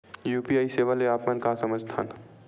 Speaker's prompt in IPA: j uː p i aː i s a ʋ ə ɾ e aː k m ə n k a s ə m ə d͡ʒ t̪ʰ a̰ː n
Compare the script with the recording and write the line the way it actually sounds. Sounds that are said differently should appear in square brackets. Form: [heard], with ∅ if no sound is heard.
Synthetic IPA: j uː p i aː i s [e] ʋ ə [l] e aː [p] m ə n k a s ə m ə d͡ʒ t̪ʰ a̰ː n